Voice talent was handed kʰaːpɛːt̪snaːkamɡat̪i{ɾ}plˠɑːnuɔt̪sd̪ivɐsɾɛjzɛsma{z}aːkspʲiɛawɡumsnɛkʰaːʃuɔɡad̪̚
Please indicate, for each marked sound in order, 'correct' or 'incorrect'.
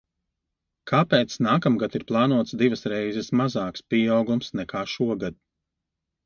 correct, correct

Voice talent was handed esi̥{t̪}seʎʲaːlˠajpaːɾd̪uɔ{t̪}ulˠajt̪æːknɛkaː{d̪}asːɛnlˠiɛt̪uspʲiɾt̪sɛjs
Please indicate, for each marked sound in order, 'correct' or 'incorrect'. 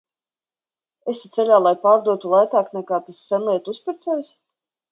correct, correct, incorrect

